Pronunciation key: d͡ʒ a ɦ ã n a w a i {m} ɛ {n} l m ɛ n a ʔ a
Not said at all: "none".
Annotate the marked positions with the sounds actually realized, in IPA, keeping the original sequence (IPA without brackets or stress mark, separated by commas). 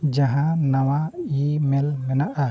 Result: m, none